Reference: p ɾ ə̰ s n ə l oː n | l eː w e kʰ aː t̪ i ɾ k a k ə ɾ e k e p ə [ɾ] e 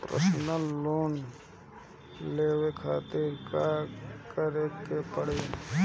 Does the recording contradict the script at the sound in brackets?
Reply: yes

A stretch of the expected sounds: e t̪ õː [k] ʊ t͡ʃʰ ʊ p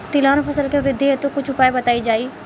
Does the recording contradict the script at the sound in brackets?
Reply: no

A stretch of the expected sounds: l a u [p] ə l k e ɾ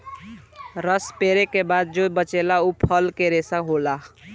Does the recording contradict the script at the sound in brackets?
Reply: yes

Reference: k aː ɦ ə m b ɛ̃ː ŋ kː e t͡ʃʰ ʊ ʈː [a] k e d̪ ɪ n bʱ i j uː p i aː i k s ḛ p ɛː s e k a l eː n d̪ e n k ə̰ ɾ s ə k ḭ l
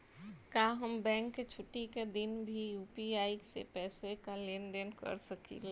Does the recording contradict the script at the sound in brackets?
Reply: yes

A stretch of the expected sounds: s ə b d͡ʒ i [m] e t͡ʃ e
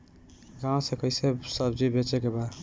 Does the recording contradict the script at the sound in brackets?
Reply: yes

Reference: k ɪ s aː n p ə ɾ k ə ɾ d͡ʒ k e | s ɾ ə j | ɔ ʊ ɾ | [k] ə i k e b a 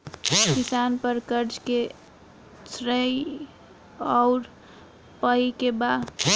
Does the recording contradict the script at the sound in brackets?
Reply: yes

